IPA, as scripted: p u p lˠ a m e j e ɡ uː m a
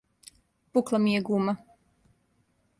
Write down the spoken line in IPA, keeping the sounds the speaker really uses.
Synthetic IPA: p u k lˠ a m i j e ɡ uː m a